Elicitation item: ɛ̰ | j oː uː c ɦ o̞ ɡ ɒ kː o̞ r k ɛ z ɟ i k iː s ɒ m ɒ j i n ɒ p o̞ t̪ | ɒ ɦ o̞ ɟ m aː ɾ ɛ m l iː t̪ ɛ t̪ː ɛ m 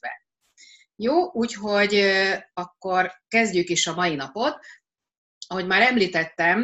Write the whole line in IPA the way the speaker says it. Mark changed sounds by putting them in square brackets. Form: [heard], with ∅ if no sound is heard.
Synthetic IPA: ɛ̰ | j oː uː c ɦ o̞ [ɟ] ɒ kː o̞ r k ɛ z ɟ [y] k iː [ʃ] ɒ m ɒ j i n ɒ p o̞ t̪ | ɒ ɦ o̞ ɟ m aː ɾ ɛ m l iː t̪ ɛ t̪ː ɛ m